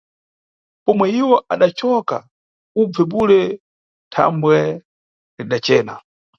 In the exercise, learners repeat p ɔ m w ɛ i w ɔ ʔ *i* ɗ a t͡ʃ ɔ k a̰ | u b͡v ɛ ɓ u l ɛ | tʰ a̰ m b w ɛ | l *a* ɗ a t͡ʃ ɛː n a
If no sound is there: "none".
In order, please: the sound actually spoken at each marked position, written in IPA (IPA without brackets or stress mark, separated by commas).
a, i